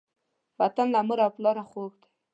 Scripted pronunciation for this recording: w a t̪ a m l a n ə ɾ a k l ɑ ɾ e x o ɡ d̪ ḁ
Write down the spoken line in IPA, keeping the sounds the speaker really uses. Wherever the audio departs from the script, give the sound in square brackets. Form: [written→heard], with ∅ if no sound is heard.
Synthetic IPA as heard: w a t̪ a [m→n] l a [n→m] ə ɾ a [k→p] l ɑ ɾ [e→a] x o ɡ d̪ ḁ